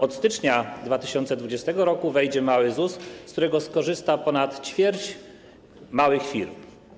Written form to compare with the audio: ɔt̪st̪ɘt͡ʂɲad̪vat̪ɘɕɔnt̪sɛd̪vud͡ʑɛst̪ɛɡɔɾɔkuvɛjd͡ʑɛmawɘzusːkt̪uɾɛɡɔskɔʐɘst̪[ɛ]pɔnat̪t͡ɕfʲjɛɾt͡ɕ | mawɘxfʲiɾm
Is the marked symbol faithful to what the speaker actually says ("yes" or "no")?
no